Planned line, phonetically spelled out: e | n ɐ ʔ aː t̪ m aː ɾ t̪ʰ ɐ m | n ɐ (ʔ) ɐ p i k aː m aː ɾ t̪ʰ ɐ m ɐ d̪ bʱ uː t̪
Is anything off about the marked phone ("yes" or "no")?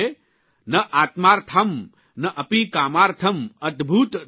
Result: no